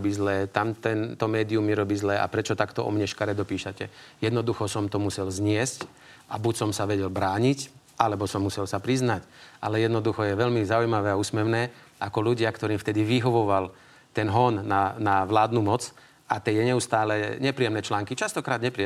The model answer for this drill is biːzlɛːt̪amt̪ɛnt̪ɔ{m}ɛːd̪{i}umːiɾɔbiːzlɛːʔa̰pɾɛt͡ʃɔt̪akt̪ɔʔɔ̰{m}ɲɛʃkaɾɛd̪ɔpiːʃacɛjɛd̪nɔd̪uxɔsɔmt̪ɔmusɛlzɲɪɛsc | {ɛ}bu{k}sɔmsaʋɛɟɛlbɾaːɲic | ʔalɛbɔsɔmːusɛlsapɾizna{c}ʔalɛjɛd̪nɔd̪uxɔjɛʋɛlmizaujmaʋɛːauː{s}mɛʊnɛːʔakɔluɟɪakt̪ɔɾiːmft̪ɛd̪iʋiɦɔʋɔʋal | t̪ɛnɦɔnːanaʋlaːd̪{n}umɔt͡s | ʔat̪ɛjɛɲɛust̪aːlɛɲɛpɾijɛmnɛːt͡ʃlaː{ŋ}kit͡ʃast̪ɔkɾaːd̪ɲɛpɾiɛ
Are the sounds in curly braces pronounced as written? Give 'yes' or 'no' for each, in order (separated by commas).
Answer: yes, yes, yes, no, no, yes, yes, yes, yes